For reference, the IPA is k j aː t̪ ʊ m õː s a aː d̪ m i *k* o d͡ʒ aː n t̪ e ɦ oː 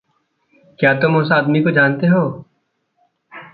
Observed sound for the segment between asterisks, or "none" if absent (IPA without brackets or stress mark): k